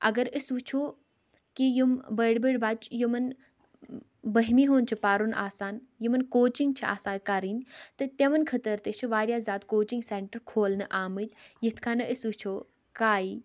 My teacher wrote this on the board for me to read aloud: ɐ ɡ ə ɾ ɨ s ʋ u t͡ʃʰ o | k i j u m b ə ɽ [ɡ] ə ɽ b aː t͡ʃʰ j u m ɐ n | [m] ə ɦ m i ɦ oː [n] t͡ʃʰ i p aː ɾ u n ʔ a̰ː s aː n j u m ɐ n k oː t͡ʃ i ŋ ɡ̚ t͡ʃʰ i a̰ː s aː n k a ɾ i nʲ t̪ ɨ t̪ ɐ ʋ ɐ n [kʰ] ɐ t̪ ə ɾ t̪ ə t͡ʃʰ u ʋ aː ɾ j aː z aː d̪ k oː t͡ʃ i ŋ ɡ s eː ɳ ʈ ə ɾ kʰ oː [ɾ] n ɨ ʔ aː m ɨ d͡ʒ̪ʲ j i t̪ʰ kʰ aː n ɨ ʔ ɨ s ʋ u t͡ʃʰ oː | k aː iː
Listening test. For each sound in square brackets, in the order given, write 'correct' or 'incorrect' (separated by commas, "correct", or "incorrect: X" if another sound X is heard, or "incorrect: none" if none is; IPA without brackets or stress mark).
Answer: incorrect: b, incorrect: b, correct, correct, incorrect: l